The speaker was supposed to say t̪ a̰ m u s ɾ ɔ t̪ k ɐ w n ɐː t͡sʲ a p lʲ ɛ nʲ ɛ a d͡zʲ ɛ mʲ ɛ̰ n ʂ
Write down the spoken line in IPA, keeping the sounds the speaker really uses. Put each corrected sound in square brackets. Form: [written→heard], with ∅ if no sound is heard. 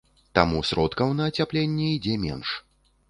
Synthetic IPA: t̪ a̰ m u s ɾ ɔ t̪ k ɐ w n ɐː t͡sʲ a p lʲ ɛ [nʲ→nʲː] ɛ [a→i] d͡zʲ ɛ mʲ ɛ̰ n ʂ